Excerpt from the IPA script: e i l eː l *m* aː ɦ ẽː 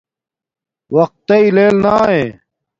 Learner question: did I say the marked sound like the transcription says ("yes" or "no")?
no